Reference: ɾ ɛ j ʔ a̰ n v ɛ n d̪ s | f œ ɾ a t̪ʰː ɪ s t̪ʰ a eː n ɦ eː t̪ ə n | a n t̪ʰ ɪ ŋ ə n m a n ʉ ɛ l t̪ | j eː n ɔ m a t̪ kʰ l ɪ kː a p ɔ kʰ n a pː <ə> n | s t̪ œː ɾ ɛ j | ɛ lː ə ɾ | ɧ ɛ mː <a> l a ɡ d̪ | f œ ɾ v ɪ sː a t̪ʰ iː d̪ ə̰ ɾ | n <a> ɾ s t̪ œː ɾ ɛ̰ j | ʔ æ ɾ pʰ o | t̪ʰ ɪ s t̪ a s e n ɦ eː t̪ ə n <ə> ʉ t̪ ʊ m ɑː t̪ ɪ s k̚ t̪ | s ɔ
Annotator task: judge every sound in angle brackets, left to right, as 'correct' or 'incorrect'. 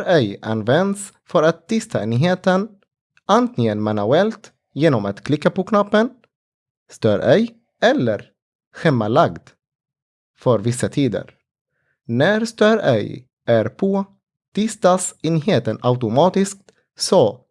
correct, correct, incorrect: æ, incorrect: a

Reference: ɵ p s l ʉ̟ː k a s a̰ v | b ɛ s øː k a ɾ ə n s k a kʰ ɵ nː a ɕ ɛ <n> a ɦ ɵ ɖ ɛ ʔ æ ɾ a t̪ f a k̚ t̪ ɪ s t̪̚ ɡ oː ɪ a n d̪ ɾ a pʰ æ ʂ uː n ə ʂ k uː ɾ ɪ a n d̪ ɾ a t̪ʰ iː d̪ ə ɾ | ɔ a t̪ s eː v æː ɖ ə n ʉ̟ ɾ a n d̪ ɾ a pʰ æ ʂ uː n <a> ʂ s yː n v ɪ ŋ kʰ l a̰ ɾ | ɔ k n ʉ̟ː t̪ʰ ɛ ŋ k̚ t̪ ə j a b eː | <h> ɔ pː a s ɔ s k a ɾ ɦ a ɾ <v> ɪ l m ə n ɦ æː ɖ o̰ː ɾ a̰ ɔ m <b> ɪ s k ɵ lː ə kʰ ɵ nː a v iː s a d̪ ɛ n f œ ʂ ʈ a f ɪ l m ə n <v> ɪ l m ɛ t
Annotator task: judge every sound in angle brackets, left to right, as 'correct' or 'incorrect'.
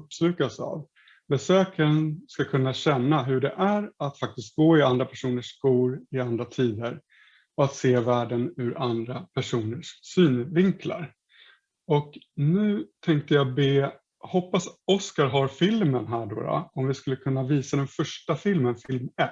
incorrect: nː, incorrect: ə, correct, incorrect: f, incorrect: v, incorrect: f

